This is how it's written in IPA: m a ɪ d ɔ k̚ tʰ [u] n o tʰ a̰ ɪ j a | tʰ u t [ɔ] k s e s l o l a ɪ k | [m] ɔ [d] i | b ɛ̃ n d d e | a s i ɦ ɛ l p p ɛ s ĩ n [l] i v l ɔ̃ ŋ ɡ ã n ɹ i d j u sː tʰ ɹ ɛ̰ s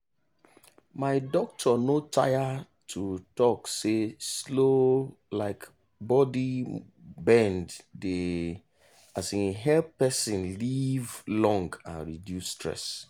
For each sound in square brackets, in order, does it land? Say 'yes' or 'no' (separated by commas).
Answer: no, yes, no, yes, yes